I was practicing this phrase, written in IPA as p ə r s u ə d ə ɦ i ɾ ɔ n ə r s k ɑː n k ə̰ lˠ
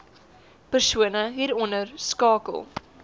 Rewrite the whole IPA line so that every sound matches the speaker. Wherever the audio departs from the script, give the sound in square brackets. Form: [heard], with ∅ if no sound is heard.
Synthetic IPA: p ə r s u ə [n] ə ɦ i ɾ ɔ n ə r s k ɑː [∅] k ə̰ lˠ